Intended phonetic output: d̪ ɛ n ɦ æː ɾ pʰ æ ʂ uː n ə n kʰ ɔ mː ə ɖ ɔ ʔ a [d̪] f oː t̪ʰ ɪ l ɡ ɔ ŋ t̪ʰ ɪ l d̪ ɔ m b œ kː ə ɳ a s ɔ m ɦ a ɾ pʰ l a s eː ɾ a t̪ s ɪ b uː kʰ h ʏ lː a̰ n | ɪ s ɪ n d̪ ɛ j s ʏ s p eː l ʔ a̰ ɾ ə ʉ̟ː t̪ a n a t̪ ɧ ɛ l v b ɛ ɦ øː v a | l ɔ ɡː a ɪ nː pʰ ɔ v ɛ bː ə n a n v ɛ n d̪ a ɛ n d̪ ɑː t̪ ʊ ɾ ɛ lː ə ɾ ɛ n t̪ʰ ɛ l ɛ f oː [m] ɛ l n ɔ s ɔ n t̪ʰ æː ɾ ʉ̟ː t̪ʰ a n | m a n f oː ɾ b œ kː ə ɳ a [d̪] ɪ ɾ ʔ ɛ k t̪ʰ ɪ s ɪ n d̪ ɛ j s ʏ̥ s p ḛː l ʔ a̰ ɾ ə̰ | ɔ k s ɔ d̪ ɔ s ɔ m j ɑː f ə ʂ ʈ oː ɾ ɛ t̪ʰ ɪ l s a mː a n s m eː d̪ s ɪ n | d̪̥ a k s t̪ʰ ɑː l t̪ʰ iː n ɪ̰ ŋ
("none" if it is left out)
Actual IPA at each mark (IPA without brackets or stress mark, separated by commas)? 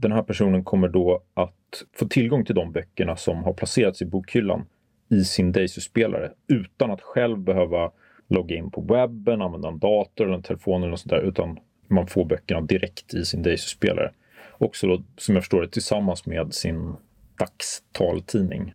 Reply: t̪, n, d̪